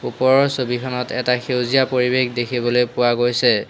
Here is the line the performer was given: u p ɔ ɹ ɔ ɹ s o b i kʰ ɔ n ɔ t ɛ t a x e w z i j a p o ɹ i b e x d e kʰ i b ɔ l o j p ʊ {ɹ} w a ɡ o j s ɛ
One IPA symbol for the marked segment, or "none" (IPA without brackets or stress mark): none